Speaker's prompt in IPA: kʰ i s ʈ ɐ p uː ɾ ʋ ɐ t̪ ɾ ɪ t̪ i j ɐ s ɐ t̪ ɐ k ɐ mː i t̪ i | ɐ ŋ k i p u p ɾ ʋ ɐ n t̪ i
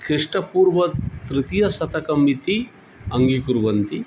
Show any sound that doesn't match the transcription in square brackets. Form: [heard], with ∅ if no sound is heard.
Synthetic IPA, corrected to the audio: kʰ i [ʂ] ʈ ɐ p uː ɾ ʋ ɐ t̪ ɾ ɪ t̪ i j ɐ s ɐ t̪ ɐ k ɐ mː i t̪ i | ɐ ŋ [ɡ] i [k] u [∅] ɾ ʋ ɐ n t̪ i

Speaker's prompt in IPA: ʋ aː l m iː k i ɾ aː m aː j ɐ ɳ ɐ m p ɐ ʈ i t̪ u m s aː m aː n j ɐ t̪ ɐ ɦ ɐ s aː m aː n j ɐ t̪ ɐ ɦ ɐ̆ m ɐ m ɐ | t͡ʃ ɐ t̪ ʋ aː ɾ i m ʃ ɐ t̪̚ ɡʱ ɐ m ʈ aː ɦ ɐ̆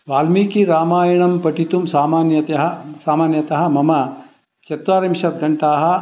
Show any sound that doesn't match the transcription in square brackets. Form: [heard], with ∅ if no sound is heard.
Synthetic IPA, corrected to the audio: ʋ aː l m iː k i ɾ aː m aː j ɐ ɳ ɐ m p ɐ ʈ i t̪ u m s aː m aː n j ɐ t̪ ɐ ɦ ɐ s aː m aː n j ɐ t̪ ɐ ɦ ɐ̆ m ɐ m ɐ | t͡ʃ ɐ t̪ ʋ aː ɾ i m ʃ ɐ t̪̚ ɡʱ ɐ [ɳ] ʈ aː ɦ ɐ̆

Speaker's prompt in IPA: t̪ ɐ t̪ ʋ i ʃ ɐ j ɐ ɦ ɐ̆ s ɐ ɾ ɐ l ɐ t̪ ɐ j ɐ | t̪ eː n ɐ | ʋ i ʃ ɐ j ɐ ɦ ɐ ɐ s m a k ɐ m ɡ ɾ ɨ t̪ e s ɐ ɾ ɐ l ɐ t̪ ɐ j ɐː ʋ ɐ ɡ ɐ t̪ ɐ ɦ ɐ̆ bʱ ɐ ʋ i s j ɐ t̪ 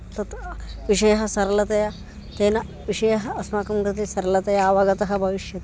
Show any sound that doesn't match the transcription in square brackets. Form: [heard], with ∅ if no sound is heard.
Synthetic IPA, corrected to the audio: t̪ ɐ t̪ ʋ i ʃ ɐ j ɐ ɦ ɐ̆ s ɐ ɾ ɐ l ɐ t̪ ɐ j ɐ | t̪ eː n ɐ | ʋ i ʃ ɐ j ɐ ɦ ɐ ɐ s m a k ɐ m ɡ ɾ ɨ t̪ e s ɐ ɾ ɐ l ɐ t̪ ɐ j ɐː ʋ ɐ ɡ ɐ t̪ ɐ ɦ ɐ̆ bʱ ɐ ʋ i [ʃ] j ɐ t̪

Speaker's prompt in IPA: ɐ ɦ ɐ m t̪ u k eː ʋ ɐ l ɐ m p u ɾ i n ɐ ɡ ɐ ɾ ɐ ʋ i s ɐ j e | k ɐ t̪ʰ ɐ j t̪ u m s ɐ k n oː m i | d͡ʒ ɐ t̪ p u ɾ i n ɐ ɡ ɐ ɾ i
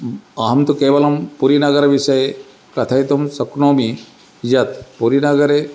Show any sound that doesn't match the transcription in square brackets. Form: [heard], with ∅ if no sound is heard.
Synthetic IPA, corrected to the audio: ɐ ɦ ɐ m t̪ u k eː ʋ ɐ l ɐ m p u ɾ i n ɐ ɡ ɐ ɾ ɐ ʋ i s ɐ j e | k ɐ t̪ʰ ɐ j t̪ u m s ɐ k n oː m i | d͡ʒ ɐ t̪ p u ɾ i n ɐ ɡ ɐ ɾ [e]

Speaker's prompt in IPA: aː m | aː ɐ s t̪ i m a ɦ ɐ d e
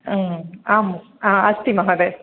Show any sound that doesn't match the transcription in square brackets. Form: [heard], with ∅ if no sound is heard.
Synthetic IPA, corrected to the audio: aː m | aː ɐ s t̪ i m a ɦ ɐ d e

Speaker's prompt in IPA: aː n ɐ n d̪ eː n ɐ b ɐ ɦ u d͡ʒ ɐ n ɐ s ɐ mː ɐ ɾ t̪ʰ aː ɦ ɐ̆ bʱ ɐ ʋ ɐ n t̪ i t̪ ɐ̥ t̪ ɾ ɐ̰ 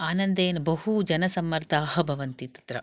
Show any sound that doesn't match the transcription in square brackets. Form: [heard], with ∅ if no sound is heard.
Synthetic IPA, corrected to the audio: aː n ɐ n d̪ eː n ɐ b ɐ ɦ u d͡ʒ ɐ n ɐ s ɐ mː ɐ ɾ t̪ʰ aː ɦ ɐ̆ bʱ ɐ ʋ ɐ n t̪ i t̪ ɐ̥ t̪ ɾ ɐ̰

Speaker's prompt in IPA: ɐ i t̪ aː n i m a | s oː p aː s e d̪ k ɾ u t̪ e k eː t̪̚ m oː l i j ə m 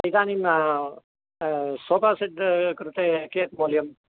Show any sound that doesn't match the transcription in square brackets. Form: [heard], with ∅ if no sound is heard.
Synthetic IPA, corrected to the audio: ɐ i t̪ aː n i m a | s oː p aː s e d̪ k ɾ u t̪ e k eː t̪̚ m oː l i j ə m

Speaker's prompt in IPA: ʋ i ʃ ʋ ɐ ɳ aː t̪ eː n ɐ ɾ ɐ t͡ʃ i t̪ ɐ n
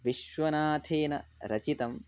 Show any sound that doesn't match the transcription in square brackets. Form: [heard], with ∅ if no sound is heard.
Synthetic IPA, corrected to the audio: ʋ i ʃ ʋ ɐ [n] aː [t̪ʰ] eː n ɐ ɾ ɐ t͡ʃ i t̪ ɐ [m]

